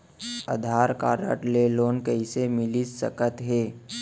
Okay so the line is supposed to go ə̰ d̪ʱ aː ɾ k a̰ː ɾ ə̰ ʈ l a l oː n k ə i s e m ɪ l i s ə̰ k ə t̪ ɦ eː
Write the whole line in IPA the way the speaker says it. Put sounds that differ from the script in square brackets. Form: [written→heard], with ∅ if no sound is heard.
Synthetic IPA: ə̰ d̪ʱ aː ɾ k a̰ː ɾ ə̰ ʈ l [a→e] l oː n k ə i s e m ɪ l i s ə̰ k ə t̪ ɦ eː